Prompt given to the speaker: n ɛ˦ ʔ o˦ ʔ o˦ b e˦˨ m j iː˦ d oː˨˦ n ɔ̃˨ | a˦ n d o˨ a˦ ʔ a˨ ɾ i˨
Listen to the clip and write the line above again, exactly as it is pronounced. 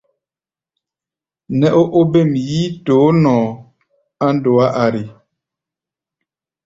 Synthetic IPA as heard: n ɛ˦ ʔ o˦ ʔ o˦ b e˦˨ m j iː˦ t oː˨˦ n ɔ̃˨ | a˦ n d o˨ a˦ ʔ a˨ ɾ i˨